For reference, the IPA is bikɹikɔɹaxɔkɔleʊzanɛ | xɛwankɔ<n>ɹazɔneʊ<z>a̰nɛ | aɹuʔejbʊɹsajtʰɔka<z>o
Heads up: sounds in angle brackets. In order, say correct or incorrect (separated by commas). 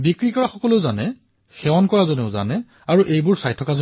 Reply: incorrect, correct, correct